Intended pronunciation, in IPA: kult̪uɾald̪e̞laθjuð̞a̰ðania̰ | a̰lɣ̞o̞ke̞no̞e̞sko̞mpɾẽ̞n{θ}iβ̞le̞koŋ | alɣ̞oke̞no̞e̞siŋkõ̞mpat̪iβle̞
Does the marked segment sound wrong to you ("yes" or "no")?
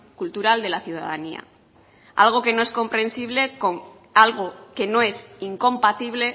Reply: yes